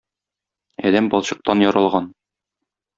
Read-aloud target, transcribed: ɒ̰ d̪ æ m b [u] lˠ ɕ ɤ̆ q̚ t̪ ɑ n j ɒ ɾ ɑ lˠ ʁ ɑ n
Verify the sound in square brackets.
incorrect: ɒ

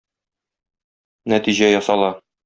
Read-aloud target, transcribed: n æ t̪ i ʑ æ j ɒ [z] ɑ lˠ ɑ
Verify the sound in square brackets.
incorrect: s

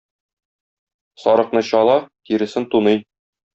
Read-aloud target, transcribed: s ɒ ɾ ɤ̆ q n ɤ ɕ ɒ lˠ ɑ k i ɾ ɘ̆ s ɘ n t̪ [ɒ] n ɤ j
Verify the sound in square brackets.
incorrect: u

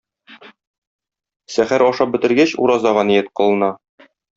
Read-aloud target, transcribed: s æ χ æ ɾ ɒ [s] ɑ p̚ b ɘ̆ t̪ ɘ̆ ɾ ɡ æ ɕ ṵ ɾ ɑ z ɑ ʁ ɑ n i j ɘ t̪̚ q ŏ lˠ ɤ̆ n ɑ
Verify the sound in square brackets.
incorrect: ʃ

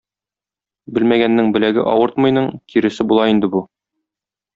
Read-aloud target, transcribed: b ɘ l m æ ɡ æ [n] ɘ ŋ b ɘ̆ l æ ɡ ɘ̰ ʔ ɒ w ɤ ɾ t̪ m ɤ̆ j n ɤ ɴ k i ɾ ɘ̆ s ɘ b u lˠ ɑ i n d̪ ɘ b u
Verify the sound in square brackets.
incorrect: nː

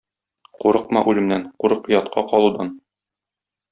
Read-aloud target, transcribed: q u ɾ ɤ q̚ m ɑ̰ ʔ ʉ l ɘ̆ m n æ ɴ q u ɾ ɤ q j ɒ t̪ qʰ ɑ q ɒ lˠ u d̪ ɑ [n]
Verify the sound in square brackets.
correct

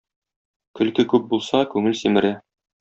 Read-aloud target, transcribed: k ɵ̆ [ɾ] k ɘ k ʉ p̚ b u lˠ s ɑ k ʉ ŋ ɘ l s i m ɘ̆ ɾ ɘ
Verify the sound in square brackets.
incorrect: l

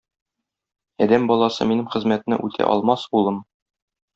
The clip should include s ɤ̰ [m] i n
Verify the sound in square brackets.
correct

